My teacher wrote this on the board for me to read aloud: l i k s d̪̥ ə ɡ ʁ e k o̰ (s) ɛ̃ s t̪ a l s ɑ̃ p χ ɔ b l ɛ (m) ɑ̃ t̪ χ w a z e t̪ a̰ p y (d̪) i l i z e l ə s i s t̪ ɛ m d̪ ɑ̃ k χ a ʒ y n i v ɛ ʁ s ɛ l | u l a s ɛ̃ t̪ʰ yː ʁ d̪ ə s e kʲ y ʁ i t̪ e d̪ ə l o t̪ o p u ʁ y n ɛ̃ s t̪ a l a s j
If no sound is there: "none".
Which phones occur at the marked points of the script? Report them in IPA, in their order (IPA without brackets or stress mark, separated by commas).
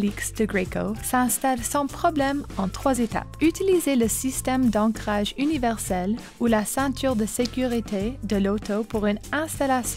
s, m, t̪